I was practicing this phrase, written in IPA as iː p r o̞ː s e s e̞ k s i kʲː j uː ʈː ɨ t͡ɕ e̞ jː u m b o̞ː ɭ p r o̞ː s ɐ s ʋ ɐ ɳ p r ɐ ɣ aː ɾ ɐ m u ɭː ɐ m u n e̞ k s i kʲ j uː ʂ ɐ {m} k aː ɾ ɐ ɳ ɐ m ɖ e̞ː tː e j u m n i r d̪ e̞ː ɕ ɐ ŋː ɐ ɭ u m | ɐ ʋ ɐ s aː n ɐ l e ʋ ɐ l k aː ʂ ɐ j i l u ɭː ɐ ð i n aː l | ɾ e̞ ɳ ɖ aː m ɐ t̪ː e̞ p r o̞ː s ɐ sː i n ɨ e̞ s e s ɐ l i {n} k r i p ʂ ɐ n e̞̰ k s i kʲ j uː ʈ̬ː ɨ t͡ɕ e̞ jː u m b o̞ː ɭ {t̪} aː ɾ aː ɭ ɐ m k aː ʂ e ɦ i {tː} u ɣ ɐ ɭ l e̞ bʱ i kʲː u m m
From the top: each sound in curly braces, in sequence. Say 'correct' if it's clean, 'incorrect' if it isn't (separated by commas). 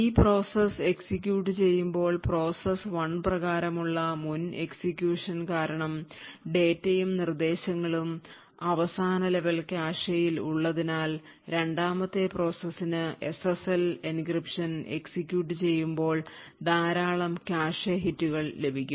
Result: incorrect, correct, incorrect, correct